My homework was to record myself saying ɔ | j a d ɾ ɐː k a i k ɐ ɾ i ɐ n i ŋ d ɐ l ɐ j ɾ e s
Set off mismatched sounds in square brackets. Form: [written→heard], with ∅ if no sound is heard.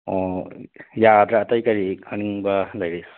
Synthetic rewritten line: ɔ | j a d ɾ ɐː [k→t] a [i→j] k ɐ ɾ i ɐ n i ŋ [d→b] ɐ l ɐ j ɾ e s